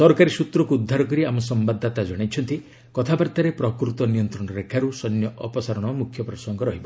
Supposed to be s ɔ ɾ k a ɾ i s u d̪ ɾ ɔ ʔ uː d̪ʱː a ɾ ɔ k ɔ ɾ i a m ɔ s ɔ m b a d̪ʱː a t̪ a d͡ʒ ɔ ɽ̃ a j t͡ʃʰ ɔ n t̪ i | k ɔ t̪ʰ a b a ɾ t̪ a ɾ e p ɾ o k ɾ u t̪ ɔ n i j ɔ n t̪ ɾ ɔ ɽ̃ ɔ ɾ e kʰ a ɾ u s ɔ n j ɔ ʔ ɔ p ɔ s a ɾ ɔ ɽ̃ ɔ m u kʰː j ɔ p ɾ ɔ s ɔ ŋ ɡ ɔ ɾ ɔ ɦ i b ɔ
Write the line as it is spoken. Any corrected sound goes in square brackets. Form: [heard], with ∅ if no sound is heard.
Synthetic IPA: s ɔ ɾ k a ɾ i s u [t̪] ɾ ɔ [k] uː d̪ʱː a ɾ ɔ k ɔ ɾ i a m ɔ s ɔ m b a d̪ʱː a t̪ a d͡ʒ ɔ ɽ̃ a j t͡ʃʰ ɔ n t̪ i | k ɔ t̪ʰ a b a ɾ t̪ a ɾ e p ɾ [ɔ] k ɾ u t̪ ɔ n i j ɔ n t̪ ɾ ɔ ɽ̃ ɔ ɾ e kʰ a ɾ u s ɔ n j ɔ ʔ ɔ p ɔ s a ɾ ɔ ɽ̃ ɔ m u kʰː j ɔ p ɾ ɔ s ɔ ŋ ɡ ɔ ɾ ɔ ɦ i b ɔ